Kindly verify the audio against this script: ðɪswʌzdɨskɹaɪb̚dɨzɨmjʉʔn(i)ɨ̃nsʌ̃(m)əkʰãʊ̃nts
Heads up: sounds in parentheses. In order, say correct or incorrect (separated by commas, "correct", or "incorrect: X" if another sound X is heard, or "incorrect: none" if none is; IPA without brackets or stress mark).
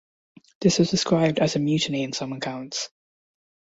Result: correct, correct